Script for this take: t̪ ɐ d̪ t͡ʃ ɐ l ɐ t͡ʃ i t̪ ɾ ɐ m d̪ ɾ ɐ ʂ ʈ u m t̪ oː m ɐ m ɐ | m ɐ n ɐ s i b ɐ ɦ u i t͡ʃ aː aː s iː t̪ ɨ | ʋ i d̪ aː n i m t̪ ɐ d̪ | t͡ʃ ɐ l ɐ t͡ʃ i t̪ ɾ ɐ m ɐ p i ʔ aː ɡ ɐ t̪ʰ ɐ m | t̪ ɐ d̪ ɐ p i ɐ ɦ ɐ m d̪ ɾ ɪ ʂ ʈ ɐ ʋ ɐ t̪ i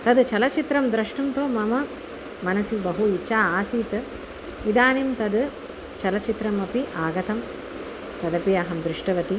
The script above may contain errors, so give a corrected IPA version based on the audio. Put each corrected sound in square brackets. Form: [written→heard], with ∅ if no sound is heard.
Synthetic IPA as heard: t̪ ɐ d̪ t͡ʃ ɐ l ɐ t͡ʃ i t̪ ɾ ɐ m d̪ ɾ ɐ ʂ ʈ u m t̪ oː m ɐ m ɐ | m ɐ n ɐ s i b ɐ ɦ u i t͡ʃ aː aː s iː t̪ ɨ | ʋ i d̪ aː n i m t̪ ɐ d̪ | t͡ʃ ɐ l ɐ t͡ʃ i t̪ ɾ ɐ m ɐ p i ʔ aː ɡ ɐ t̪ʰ ɐ m | t̪ ɐ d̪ ɐ p i ɐ ɦ ɐ m d̪ ɾ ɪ ʂ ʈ ɐ ʋ ɐ t̪ i